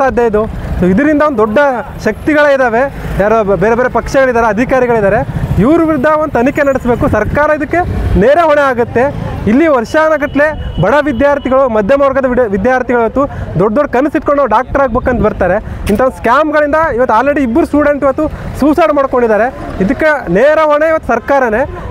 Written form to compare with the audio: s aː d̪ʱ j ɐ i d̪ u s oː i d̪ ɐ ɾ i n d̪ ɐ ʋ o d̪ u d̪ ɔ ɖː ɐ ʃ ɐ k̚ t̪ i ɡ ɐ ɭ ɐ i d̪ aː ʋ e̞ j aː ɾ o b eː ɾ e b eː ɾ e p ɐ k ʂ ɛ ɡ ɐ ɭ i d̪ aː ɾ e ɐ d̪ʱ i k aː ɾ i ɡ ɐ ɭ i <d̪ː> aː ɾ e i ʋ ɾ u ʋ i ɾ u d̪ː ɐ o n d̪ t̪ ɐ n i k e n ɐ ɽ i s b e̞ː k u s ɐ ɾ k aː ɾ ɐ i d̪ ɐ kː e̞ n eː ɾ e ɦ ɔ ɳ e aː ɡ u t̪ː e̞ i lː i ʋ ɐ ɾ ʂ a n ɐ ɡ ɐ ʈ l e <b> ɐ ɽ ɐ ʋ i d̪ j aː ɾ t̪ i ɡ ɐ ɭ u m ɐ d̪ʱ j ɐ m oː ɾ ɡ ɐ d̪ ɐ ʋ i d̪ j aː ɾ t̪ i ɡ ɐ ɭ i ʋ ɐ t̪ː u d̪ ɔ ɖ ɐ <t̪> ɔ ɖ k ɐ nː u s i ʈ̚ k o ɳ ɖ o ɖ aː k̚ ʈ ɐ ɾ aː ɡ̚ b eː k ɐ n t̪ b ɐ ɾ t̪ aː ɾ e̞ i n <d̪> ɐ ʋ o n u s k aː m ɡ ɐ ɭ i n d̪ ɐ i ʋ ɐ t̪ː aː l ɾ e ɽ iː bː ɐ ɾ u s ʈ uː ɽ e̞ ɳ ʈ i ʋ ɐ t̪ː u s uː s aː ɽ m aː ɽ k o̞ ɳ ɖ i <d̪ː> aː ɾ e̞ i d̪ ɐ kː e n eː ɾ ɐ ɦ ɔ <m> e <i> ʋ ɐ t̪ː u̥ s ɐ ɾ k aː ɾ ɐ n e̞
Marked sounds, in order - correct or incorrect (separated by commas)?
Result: incorrect, correct, incorrect, incorrect, incorrect, incorrect, correct